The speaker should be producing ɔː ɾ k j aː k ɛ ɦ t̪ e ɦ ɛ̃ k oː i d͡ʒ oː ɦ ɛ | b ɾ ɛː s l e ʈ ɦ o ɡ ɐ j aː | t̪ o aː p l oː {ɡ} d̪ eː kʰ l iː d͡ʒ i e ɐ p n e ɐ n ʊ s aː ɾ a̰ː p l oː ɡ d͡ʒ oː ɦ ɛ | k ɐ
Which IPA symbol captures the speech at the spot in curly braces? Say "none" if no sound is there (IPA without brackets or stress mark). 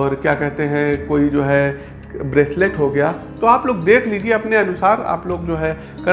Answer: ɡ